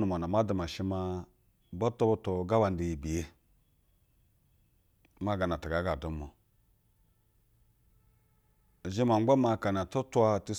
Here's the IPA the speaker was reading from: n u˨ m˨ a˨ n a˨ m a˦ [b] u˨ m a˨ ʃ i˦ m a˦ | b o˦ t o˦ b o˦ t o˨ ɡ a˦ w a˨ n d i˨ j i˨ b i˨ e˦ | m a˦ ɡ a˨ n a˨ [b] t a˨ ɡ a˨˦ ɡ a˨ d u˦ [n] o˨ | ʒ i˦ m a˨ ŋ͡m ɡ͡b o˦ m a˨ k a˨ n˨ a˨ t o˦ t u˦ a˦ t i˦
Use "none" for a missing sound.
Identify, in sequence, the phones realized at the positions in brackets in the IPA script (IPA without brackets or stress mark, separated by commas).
d, none, m